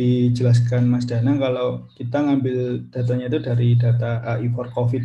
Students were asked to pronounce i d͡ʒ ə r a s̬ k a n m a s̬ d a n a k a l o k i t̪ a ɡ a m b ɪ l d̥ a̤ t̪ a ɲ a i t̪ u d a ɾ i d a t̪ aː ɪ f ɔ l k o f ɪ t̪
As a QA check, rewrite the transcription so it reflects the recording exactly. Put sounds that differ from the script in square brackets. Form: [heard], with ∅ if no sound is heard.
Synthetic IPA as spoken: i d͡ʒ ə [l] a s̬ k a n m a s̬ d a n a k a l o k i t̪ a [ŋ] a m b ɪ l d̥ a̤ t̪ a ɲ a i t̪ u d a ɾ i d a t̪ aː [i] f ɔ [r] k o f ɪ t̪